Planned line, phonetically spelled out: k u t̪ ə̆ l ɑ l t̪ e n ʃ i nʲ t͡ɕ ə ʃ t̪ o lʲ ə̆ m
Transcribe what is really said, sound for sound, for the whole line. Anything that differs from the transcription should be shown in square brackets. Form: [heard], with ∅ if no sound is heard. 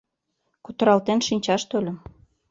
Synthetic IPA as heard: k u t̪ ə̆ [ɾ] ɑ l t̪ e n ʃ i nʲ t͡ɕ [ɑ] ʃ t̪ o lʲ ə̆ m

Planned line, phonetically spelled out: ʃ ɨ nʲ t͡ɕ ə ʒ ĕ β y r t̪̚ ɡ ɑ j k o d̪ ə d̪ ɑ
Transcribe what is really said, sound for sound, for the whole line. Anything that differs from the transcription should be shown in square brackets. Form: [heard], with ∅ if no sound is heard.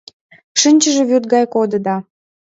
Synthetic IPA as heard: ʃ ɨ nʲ t͡ɕ ə ʒ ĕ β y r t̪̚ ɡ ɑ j k o d̪ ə d̪ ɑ

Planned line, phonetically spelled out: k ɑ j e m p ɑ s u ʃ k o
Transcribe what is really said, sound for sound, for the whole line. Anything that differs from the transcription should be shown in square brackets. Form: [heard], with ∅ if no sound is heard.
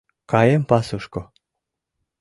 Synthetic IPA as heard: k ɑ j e m p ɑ s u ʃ k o

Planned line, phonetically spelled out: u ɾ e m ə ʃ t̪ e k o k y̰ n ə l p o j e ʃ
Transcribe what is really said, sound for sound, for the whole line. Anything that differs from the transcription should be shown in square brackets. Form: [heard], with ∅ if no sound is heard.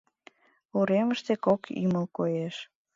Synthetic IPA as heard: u ɾ e m ə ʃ t̪ e k o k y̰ [m] ə l [k] o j e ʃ

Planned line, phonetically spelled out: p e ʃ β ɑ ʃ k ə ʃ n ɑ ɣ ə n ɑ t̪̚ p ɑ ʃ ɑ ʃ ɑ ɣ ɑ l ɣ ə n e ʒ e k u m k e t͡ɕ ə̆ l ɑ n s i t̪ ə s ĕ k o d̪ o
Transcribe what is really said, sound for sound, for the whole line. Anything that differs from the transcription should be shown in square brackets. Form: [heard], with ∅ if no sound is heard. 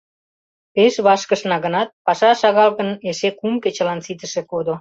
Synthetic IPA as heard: p e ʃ β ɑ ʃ k ə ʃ n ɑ ɣ ə n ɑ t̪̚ p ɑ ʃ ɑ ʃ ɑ ɣ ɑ l ɣ ə n e [ʃ] e k u m k e t͡ɕ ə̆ l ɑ n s i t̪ ə [ʃ] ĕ k o d̪ o

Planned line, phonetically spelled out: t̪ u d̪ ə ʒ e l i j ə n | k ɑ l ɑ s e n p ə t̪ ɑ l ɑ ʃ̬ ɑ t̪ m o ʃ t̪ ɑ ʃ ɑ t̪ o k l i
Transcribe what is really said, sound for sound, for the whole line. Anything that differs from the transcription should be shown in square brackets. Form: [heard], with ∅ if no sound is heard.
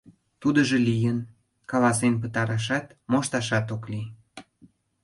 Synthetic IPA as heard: t̪ u d̪ ə ʒ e l i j ə n | k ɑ l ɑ s e n p ə t̪ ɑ [ɾ] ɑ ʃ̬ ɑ t̪ m o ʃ t̪ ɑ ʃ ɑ t̪ o k l i

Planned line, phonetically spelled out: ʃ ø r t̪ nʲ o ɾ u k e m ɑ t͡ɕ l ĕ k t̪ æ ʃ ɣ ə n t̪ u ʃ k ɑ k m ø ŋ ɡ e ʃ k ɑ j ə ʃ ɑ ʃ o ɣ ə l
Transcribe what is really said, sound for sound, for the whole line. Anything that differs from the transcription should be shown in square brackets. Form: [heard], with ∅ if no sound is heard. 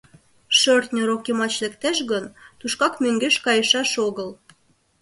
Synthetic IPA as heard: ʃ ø r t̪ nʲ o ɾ [o] k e m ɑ t͡ɕ l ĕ k t̪ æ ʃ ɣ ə n t̪ u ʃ k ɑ k m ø ŋ ɡ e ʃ k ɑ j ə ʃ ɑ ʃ o ɣ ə l

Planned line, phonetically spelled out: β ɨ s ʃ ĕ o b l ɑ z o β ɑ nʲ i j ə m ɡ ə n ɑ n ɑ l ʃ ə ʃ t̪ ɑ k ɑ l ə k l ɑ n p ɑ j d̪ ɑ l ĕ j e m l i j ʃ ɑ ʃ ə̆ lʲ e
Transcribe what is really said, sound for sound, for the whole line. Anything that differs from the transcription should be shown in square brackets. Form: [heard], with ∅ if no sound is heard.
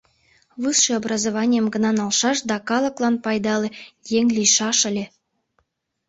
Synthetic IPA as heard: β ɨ s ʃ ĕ o b [r] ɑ z o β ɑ nʲ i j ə m ɡ ə n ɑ n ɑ l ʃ [ɑ] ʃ [d̪] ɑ k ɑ l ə k l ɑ n p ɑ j d̪ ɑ l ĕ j e [ŋ] l i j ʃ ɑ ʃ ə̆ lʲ e

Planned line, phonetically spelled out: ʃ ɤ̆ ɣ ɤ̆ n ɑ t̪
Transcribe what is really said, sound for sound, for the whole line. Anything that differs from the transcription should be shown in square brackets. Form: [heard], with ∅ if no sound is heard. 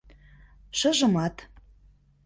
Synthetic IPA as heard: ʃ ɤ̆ [ʒ] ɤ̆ [m] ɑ t̪

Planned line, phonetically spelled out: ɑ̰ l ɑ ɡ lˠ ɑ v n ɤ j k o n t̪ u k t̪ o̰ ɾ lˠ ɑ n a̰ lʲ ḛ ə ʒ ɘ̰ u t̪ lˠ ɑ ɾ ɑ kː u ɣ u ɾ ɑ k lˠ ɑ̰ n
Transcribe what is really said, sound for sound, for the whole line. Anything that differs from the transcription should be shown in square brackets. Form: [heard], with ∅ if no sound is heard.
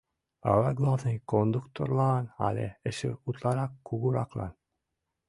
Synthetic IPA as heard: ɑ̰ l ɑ ɡ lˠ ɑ v n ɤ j k o n [d̪] u k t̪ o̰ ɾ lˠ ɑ n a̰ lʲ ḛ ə [ʃ] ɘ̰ u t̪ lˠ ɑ ɾ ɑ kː u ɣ u ɾ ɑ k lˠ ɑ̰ n

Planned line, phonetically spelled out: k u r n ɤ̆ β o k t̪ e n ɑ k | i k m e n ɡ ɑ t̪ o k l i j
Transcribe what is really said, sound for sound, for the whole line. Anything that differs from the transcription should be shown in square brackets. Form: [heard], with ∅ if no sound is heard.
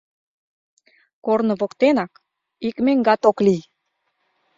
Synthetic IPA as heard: k [o] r n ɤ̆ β o k t̪ e n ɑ k | i k m e [ŋ] ɡ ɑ t̪ o k l i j

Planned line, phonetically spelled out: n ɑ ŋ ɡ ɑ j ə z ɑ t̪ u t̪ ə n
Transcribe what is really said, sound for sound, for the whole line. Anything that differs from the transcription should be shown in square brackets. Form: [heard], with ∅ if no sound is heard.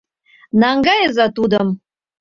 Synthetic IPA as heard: n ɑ ŋ ɡ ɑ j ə z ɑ t̪ u [d̪] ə [m]

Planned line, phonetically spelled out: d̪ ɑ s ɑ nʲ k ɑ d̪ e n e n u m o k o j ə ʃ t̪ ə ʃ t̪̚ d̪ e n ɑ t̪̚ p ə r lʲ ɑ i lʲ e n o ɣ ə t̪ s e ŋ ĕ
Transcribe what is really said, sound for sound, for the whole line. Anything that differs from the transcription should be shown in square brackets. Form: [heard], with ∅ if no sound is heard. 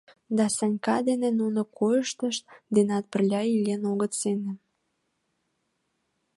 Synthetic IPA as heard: d̪ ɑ s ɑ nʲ k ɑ d̪ e n e n u [n] o k o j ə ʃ t̪ ə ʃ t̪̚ d̪ e n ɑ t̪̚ p ə r lʲ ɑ i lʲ e n o ɣ ə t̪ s e [n] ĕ

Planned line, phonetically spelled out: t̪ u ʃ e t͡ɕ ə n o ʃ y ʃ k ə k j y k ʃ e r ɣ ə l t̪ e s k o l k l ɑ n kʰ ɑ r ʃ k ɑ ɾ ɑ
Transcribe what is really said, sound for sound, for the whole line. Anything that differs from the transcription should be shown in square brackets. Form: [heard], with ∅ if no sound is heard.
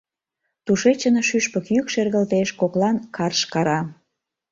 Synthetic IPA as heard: t̪ u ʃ e t͡ɕ ə n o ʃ y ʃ [p] ə k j y k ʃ e r ɣ ə l t̪ e [ʃ] k o [∅] k l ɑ n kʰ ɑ r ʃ k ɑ ɾ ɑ

